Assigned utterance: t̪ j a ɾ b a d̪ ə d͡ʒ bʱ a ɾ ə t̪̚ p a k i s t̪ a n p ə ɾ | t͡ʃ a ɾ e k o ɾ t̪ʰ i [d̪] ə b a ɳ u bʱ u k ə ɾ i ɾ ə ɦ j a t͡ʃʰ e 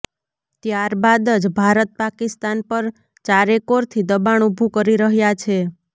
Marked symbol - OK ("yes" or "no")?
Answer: yes